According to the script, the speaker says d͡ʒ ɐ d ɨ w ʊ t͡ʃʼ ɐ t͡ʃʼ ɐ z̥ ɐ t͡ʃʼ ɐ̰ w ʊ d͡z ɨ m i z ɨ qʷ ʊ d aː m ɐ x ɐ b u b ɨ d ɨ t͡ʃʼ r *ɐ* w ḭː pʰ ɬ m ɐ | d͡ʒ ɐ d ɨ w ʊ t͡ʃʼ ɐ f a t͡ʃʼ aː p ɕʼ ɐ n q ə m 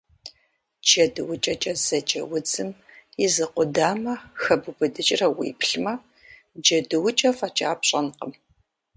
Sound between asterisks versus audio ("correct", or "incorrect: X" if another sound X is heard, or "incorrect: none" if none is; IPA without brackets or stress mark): correct